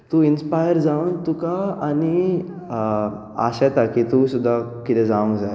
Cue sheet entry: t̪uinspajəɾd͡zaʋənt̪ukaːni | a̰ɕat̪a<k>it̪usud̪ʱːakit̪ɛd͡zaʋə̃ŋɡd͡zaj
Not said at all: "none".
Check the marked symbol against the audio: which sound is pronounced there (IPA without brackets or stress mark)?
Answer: k